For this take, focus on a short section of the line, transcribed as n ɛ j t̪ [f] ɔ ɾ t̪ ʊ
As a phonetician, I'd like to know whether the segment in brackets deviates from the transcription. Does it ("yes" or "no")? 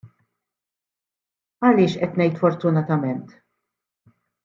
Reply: no